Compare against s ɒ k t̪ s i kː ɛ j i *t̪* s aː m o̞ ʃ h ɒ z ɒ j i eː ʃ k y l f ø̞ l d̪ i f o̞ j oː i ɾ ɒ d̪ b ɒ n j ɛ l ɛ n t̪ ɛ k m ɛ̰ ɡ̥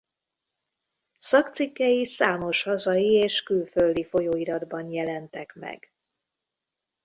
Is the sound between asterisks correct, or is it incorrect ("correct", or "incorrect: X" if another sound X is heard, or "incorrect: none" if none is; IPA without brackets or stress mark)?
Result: incorrect: none